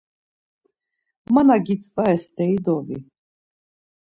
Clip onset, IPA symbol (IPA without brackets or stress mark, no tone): m